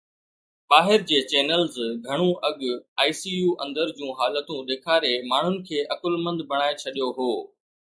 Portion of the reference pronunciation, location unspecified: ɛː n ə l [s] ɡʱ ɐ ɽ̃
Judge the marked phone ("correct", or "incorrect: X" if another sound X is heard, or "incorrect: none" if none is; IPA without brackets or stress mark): incorrect: z